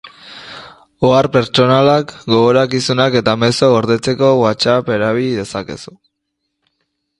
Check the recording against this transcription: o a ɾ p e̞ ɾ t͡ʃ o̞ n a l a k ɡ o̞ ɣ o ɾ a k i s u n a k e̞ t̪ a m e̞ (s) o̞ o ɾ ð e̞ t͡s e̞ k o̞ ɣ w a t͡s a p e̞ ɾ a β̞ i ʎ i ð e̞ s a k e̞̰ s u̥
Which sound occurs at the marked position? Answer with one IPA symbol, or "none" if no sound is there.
s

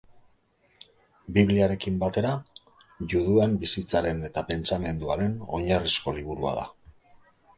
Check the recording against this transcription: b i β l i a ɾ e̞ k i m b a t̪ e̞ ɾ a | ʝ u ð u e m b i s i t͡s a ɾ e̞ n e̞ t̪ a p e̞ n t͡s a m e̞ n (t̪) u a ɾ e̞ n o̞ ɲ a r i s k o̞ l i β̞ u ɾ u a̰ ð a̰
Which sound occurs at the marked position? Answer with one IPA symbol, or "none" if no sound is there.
d̪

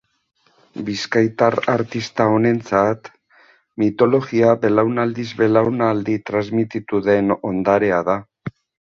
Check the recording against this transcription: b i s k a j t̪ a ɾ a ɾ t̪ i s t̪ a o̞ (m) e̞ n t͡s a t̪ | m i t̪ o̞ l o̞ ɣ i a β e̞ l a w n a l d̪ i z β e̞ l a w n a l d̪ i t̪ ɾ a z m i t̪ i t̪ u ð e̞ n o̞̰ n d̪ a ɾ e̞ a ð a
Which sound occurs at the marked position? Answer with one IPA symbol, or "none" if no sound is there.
n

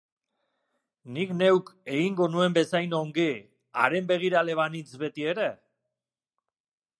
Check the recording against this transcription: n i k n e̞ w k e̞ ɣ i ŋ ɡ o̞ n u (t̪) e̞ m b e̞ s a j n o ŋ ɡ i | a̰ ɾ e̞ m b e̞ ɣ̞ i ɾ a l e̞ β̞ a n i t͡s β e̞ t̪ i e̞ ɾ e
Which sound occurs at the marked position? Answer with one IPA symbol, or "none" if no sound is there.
none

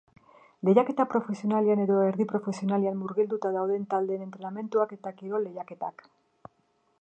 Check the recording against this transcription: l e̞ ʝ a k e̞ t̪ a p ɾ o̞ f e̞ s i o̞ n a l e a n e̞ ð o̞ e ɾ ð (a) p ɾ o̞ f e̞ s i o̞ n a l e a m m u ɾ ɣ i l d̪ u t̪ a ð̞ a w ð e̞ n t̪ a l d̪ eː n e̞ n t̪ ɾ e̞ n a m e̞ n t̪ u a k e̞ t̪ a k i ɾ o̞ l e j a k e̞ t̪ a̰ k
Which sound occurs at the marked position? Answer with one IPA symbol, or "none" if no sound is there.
i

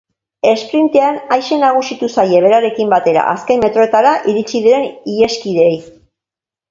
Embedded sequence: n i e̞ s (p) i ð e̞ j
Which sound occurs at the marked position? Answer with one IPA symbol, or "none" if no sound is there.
k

